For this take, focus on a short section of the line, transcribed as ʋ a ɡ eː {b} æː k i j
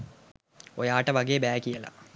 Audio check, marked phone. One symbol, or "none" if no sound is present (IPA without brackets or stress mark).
b